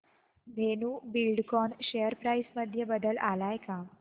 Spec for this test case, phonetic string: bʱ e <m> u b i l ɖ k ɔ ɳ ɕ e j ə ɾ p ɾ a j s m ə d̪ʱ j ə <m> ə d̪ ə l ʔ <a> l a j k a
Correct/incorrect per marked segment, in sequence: incorrect, incorrect, correct

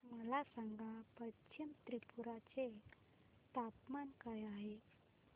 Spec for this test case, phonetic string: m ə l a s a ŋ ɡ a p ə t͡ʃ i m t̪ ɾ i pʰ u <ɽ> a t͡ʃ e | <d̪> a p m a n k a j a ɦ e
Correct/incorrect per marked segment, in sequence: incorrect, incorrect

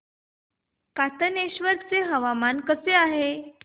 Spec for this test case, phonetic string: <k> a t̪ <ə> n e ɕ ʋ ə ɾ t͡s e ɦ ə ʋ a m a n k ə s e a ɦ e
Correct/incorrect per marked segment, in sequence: correct, correct

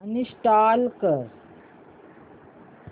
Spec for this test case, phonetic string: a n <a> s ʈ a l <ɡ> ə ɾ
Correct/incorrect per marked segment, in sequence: incorrect, incorrect

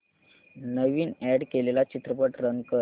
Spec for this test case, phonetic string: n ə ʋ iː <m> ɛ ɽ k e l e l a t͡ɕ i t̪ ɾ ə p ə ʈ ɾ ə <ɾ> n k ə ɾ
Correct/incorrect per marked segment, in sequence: incorrect, incorrect

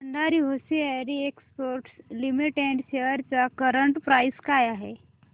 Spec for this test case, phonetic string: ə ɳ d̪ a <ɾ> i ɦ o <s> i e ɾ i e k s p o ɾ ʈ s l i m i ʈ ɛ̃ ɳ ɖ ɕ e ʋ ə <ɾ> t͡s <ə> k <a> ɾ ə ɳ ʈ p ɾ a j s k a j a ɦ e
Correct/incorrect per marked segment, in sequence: correct, correct, correct, incorrect, incorrect

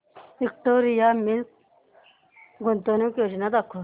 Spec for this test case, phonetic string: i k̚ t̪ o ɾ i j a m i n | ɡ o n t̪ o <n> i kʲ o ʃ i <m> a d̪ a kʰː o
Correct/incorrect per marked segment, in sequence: correct, incorrect

